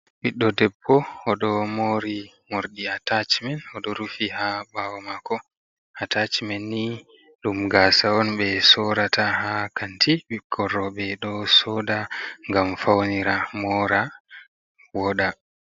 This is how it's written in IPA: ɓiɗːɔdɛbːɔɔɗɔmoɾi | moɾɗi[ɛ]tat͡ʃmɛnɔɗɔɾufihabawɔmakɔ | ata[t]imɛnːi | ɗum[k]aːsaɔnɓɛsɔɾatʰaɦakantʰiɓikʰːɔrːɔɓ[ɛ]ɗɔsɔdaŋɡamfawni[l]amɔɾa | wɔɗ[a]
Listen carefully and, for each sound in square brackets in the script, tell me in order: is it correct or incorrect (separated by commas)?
incorrect, incorrect, incorrect, correct, incorrect, correct